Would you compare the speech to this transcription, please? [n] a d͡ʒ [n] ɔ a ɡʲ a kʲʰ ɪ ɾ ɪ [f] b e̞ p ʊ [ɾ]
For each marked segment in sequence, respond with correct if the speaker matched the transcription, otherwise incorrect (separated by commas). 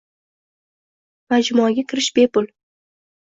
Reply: incorrect, incorrect, incorrect, incorrect